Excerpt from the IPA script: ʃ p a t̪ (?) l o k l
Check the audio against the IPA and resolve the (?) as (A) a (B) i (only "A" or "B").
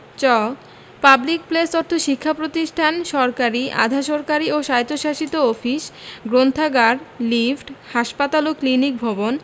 A